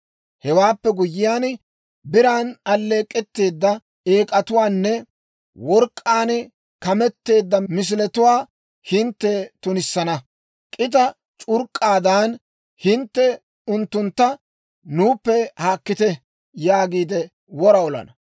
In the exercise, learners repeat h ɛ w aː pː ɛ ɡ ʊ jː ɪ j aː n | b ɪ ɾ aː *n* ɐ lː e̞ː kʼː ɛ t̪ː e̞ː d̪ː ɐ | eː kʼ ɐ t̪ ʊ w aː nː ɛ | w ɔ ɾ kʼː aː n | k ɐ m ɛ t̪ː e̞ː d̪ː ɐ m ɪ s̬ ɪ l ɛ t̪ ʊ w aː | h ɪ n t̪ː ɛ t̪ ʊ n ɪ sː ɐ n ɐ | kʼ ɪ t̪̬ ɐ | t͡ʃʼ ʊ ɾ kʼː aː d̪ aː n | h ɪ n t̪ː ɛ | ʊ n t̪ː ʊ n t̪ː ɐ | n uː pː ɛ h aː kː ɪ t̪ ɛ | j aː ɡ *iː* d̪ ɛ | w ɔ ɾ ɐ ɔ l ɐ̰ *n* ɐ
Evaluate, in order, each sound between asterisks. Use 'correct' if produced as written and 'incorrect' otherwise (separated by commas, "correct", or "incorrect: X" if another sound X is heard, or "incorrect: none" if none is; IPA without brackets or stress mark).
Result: correct, correct, correct